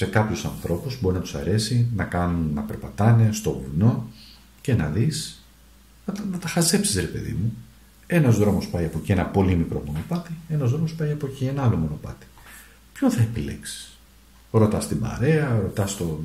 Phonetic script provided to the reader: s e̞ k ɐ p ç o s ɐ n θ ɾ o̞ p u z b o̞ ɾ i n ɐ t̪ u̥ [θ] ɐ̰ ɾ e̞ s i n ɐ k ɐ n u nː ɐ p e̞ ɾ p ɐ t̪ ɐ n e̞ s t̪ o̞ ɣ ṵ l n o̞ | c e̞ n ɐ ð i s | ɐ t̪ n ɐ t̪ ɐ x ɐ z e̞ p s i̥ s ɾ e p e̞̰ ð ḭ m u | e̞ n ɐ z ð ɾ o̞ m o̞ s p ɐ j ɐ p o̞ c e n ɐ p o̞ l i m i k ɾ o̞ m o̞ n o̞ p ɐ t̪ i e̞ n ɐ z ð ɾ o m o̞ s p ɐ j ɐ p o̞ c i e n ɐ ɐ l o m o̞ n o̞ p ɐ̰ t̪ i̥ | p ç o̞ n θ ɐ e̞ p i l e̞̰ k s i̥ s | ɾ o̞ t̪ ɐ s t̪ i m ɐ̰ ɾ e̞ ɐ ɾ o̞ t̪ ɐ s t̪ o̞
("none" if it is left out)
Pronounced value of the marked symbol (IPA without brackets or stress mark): s